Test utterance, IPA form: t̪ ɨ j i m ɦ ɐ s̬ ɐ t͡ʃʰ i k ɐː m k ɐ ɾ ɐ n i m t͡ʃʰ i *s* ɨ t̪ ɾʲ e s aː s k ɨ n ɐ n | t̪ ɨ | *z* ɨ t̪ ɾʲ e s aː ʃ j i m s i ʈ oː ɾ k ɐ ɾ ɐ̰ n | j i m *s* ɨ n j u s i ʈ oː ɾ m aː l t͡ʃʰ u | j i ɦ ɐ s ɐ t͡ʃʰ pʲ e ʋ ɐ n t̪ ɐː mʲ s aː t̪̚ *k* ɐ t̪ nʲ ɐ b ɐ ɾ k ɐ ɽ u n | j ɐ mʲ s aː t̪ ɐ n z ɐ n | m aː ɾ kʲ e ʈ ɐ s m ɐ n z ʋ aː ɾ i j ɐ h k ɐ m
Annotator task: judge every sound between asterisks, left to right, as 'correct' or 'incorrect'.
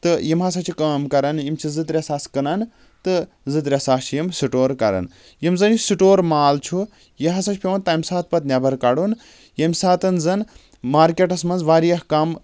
incorrect, correct, incorrect, incorrect

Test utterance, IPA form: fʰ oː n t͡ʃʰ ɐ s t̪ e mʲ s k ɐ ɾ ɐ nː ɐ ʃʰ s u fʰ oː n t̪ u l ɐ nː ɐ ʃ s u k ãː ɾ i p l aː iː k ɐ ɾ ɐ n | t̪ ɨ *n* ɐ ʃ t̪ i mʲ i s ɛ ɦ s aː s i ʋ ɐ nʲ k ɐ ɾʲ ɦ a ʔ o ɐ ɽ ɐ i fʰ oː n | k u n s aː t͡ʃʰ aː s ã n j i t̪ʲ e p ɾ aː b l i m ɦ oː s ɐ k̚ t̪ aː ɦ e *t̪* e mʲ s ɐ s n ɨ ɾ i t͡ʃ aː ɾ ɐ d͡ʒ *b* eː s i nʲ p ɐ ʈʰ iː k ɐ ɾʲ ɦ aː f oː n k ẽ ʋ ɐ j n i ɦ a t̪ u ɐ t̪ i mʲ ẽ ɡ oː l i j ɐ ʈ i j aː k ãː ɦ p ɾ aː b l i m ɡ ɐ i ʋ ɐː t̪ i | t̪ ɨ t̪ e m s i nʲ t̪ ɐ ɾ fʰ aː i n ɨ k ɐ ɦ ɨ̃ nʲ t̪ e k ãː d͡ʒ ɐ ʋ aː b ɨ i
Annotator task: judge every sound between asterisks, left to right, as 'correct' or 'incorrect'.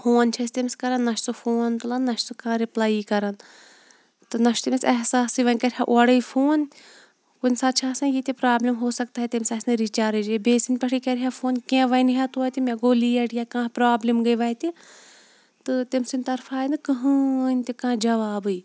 correct, correct, correct

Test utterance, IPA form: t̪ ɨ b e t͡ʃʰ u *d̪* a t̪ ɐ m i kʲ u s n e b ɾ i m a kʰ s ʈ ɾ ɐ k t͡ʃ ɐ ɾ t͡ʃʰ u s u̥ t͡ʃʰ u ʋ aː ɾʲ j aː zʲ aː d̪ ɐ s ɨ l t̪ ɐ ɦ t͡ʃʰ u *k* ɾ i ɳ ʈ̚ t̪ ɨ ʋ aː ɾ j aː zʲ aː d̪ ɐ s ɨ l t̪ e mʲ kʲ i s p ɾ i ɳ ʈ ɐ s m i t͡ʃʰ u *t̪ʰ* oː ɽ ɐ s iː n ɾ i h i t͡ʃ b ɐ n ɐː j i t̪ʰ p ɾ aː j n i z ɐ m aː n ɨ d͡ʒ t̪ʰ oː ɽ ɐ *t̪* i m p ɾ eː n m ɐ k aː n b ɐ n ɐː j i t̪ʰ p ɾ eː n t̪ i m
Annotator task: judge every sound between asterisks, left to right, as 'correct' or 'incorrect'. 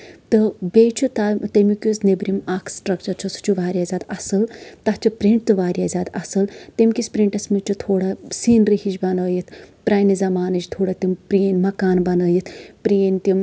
incorrect, incorrect, correct, correct

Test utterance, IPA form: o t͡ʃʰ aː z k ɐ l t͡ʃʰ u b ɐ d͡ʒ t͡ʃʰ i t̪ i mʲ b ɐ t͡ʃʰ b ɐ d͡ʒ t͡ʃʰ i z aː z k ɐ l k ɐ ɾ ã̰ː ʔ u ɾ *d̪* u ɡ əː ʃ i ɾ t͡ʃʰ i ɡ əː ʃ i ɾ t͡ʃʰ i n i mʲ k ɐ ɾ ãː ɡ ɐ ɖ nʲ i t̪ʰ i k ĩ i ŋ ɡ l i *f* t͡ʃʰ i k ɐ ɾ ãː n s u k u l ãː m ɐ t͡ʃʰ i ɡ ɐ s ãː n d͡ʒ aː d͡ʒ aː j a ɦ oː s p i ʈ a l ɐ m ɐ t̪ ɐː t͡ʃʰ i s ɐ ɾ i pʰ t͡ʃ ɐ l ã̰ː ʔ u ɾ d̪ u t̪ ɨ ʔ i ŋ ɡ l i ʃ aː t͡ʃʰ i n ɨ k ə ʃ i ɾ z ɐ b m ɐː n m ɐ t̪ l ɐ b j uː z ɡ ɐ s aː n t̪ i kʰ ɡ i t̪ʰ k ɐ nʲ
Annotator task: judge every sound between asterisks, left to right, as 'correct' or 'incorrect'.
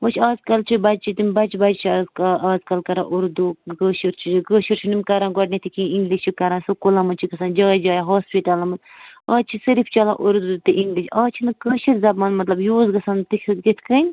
correct, incorrect

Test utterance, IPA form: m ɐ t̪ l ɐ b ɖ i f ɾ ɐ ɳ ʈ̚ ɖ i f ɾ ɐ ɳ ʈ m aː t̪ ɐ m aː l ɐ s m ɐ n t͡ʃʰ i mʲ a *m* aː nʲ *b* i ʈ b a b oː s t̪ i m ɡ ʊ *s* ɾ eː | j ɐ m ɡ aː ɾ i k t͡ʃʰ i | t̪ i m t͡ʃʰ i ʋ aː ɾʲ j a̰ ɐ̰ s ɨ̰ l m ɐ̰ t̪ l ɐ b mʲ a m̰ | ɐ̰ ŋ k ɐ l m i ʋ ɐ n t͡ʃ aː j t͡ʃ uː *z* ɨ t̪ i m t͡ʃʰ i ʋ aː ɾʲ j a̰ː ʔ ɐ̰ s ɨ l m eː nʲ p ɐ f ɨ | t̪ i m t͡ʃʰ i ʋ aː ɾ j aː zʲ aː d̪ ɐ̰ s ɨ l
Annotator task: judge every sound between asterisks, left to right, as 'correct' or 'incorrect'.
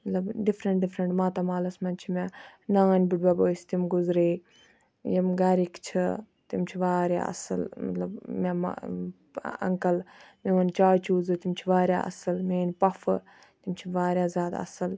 incorrect, correct, incorrect, correct

